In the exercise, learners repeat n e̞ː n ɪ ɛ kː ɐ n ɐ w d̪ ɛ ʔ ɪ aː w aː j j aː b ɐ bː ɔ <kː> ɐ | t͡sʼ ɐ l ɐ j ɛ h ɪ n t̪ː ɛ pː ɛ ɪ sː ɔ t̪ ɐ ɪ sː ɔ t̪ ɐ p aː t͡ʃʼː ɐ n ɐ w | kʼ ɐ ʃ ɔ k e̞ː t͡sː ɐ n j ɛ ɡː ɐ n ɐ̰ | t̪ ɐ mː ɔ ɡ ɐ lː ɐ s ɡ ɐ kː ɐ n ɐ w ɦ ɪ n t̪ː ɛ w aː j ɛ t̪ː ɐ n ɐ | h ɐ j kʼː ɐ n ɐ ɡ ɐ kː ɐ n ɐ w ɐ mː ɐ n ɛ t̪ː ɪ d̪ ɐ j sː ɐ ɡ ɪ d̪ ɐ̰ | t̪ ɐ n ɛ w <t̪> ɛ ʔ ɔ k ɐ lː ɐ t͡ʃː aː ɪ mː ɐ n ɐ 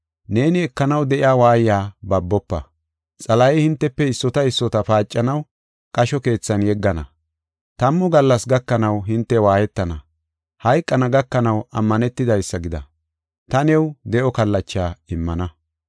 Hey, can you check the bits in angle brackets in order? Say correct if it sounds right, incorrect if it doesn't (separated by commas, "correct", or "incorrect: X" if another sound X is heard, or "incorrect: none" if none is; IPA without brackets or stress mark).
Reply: incorrect: pː, incorrect: d̪